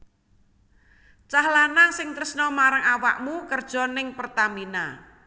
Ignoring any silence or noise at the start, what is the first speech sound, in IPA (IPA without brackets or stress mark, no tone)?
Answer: t͡ʃ